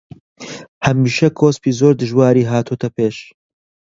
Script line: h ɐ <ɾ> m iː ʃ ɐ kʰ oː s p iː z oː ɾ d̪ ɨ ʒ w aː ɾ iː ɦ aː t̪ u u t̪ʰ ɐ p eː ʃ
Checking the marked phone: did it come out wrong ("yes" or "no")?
yes